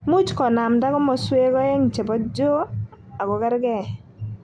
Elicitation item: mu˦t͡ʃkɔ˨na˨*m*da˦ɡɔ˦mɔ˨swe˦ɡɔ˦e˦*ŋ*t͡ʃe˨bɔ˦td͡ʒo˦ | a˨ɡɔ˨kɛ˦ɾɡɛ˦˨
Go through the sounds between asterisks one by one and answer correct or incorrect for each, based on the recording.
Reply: correct, correct

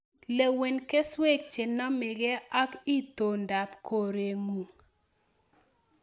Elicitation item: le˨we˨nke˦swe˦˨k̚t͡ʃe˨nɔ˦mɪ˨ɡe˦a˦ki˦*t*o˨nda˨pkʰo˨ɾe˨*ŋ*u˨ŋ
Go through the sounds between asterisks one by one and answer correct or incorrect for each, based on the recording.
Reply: correct, correct

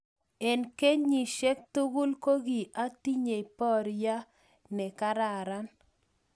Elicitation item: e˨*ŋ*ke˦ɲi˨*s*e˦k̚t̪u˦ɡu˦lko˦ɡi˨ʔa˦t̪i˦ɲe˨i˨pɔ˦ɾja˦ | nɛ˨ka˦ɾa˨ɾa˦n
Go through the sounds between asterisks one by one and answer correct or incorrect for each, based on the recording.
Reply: incorrect: n, incorrect: ʃ

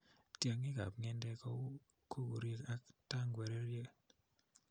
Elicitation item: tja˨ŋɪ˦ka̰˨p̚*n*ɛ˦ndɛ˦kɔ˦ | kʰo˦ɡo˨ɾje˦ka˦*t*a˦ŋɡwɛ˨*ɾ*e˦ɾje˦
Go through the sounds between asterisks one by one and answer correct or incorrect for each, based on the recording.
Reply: incorrect: ŋ, correct, correct

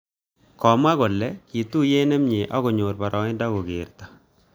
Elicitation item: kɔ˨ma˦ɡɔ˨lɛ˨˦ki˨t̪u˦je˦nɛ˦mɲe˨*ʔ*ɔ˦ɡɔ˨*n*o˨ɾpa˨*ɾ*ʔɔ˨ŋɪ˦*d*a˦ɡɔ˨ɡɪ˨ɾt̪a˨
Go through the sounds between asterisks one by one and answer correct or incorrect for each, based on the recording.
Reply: correct, incorrect: ɲ, correct, correct

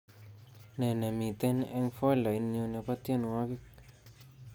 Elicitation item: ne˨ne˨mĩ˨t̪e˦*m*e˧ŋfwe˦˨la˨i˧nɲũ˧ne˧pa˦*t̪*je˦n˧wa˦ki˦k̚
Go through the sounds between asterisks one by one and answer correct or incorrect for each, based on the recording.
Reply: incorrect: n, correct

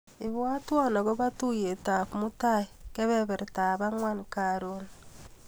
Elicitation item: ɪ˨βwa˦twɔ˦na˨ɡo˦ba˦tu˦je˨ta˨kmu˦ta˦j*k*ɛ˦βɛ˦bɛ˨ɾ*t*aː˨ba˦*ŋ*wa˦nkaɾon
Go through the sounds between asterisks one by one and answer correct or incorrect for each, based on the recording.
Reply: correct, correct, correct

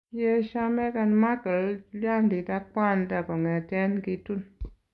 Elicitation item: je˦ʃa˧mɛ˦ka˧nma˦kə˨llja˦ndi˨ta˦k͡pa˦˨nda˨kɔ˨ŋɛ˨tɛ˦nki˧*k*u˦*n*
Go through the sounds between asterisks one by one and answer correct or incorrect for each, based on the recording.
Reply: incorrect: t, correct

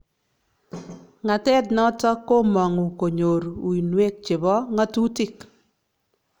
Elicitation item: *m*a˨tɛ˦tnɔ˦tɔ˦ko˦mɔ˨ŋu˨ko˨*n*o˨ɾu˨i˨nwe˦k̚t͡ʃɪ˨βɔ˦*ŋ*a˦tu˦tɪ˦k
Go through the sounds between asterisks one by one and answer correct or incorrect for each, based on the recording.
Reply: incorrect: ŋ, incorrect: ɲ, correct

